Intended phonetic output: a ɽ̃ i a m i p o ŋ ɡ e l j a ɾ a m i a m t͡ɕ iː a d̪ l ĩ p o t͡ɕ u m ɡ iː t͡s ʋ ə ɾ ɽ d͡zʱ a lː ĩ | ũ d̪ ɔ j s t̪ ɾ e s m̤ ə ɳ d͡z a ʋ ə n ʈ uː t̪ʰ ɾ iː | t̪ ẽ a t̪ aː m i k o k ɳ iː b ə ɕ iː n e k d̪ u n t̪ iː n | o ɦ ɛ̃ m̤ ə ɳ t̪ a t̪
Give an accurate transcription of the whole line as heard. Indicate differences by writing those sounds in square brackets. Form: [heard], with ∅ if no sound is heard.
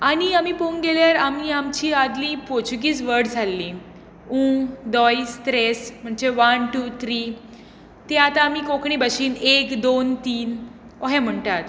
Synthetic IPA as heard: a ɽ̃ i a m i p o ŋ ɡ e l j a ɾ a m i a m t͡ɕ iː a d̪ l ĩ p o t͡ɕ u [∅] ɡ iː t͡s ʋ ə ɾ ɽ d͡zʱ a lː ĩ | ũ d̪ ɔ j s t̪ ɾ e s m̤ ə ɳ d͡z [e] ʋ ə n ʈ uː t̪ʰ ɾ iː | t̪ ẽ a t̪ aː m i k o k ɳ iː b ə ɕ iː n e k d̪ [o] n t̪ iː n | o ɦ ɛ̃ m̤ ə ɳ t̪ a t̪